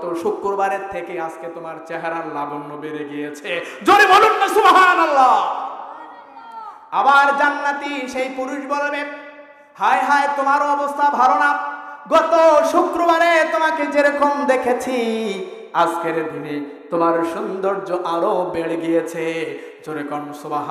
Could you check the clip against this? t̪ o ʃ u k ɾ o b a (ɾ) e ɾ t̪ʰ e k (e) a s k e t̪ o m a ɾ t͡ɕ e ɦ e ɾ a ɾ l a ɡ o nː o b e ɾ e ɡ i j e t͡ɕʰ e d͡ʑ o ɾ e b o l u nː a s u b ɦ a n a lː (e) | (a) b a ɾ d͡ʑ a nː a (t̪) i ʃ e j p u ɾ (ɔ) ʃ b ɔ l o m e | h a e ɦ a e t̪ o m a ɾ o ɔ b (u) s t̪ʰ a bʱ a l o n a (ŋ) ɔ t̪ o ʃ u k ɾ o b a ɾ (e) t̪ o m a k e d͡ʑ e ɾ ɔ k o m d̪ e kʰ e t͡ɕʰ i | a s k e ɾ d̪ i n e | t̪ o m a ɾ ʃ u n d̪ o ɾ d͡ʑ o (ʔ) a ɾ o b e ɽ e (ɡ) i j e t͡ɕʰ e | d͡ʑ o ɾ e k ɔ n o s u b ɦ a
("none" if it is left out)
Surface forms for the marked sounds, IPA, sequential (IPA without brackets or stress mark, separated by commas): ɾ, e, a, a, t̪, u, o, ɡ, e, ʔ, ɡ